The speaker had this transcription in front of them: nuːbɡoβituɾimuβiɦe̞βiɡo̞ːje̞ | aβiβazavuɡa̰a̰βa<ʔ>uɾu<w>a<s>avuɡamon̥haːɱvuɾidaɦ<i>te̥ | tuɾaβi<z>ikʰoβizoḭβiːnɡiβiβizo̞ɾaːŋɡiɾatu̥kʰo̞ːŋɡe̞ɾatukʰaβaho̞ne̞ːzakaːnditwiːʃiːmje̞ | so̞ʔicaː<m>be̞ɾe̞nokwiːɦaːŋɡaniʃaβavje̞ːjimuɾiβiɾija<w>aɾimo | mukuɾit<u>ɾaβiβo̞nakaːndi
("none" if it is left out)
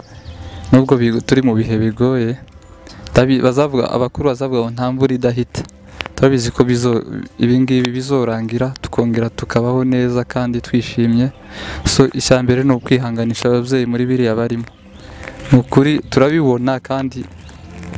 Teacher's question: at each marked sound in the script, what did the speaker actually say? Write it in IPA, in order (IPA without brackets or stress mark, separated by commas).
k, β, z, i, z, m, β, u